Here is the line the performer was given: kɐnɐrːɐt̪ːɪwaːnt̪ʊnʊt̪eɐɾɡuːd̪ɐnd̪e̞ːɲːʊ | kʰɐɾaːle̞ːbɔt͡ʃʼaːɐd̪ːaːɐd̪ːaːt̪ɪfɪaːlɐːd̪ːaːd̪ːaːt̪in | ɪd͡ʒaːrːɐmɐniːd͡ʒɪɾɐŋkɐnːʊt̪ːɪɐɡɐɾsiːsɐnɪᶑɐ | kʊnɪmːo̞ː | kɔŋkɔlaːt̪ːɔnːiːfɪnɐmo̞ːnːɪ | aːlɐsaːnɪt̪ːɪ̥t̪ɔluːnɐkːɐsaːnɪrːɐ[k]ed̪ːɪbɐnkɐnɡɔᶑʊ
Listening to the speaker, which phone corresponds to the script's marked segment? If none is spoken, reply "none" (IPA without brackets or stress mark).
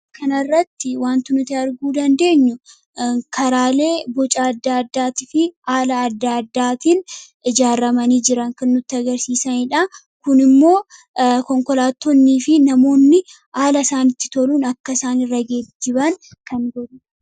ɡ